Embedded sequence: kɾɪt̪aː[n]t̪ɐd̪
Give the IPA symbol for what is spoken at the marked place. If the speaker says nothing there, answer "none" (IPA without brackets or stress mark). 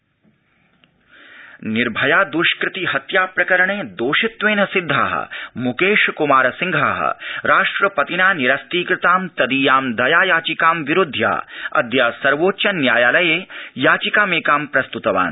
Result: m